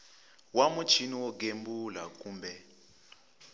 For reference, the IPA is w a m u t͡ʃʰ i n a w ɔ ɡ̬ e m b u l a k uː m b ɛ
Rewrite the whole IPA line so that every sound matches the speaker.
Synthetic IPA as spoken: w a m u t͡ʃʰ i n i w ɔ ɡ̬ e m b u l a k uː m b ɛ